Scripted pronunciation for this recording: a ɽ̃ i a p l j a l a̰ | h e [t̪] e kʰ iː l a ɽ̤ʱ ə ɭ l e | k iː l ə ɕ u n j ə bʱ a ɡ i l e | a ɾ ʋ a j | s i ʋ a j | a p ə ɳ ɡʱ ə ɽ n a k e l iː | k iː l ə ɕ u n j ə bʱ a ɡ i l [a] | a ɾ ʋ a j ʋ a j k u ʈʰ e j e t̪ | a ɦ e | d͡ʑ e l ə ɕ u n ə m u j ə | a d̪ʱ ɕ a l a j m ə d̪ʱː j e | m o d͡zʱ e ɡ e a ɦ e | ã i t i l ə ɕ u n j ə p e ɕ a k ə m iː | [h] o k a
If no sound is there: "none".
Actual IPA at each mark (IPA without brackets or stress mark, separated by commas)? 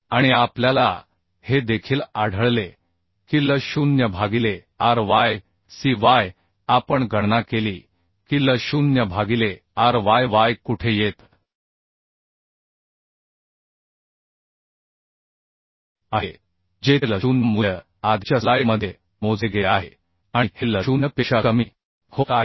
d̪, e, h